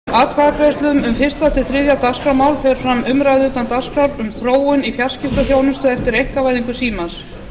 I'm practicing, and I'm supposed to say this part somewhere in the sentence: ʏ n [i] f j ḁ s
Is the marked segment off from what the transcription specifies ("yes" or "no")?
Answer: no